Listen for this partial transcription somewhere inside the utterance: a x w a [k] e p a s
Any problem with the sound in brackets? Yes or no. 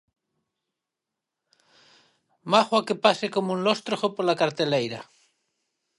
no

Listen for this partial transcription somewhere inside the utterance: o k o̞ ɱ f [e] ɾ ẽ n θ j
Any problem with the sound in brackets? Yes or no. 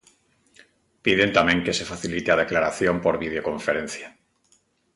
no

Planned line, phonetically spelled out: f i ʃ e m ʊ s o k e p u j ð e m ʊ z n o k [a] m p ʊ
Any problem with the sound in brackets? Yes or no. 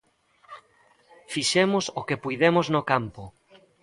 no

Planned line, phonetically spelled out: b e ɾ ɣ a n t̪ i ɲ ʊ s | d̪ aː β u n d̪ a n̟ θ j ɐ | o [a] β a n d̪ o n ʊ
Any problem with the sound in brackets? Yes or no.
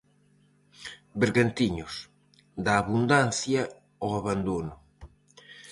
no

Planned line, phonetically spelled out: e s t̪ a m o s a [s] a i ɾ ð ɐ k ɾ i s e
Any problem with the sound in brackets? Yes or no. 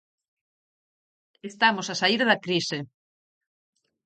no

